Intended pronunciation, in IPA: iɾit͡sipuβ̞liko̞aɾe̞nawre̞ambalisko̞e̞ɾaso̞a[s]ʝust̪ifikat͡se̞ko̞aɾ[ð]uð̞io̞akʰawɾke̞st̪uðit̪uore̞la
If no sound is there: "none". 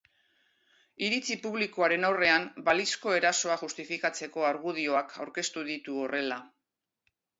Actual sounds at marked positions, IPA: none, ɣ

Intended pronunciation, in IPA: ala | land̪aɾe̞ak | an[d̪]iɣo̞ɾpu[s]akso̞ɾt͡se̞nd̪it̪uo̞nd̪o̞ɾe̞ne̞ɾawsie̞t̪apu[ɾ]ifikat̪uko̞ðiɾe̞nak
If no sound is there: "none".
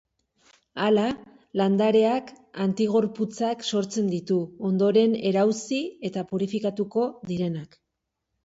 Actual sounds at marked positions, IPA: t̪, t͡s, ɾ

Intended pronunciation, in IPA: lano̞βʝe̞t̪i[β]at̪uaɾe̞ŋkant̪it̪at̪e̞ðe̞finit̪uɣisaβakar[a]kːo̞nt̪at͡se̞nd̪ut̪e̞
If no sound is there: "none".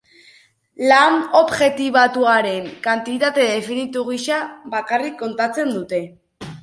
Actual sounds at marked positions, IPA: β, i

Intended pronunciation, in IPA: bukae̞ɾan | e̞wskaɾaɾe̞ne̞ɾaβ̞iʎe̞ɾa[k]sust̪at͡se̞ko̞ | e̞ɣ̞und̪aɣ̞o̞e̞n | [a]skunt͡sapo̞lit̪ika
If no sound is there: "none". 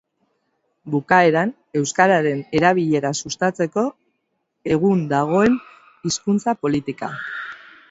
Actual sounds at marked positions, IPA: none, i

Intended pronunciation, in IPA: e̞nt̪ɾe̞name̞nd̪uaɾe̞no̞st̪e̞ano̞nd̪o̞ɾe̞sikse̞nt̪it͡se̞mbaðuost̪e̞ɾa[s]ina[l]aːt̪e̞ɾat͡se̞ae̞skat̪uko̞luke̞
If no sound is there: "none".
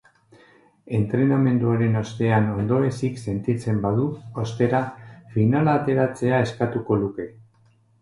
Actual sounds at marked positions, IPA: f, l

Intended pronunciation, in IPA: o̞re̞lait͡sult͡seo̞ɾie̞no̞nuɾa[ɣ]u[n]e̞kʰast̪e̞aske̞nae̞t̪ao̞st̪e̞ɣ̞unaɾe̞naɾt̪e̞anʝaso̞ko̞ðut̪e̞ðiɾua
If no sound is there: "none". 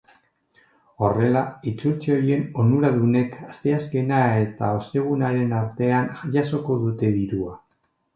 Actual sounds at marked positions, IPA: ð, n

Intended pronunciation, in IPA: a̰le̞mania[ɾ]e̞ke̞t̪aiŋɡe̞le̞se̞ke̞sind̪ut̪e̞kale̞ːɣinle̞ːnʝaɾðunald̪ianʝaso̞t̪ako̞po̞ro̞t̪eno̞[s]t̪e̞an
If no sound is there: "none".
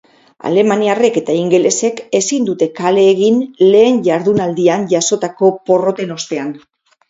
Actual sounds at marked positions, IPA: r, s

